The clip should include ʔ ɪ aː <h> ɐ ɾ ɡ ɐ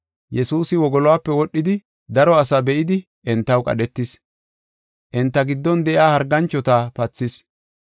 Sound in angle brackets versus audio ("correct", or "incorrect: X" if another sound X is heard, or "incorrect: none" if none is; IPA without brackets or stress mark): correct